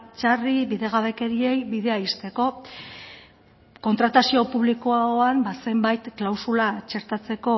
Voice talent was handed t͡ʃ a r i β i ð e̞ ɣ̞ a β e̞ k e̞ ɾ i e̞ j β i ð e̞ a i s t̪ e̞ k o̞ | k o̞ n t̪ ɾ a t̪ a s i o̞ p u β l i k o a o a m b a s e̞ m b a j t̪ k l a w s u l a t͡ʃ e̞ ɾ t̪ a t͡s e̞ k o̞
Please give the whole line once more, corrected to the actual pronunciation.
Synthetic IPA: t͡ʃ a r i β i ð e̞ ɣ̞ a β e̞ k e̞ ɾ i e̞ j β i ð e̞ a i s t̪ e̞ k o̞ | k o̞ n t̪ ɾ a t̪ a s i o̞ p u β l i k o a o a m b a s e̞ m b a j t̪ k l a w s u l a t͡ʃ e̞ ɾ t̪ a t͡s e̞ k o̞